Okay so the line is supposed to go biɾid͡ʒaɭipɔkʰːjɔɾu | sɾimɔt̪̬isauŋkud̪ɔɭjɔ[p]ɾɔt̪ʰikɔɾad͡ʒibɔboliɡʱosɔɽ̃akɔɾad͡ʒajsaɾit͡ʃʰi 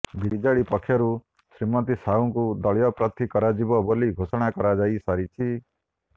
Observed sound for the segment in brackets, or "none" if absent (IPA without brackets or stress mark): p